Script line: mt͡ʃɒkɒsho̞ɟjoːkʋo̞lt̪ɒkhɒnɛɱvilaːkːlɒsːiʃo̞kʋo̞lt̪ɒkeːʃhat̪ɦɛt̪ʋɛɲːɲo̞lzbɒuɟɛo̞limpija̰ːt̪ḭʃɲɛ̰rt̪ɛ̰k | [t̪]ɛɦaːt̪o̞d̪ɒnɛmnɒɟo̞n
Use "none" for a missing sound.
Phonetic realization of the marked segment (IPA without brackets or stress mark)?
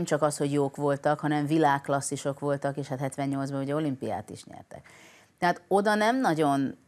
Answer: t̪